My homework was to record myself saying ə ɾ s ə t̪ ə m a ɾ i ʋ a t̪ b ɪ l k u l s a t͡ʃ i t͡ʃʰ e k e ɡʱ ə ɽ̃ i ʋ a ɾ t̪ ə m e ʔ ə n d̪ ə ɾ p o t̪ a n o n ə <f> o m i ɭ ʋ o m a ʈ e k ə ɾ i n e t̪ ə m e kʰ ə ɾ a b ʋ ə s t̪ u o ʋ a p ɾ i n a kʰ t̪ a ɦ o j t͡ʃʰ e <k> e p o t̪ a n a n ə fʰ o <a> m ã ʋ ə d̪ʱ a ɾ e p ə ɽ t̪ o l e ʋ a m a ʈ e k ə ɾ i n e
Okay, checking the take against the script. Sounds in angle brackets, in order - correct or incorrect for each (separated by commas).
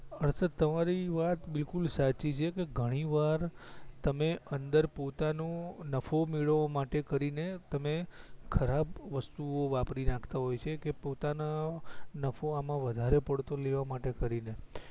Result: correct, correct, correct